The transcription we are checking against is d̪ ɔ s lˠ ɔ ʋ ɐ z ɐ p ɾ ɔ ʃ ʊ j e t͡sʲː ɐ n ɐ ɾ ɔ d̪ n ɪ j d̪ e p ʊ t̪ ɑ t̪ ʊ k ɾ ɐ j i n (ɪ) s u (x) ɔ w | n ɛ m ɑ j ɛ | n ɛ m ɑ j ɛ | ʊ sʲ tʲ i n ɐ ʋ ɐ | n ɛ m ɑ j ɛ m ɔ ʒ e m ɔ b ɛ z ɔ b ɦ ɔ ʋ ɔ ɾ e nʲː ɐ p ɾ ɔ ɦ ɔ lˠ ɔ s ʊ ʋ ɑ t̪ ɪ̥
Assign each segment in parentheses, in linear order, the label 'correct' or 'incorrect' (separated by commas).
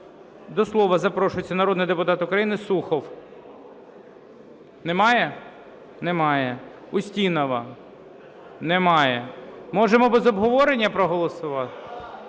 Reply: correct, correct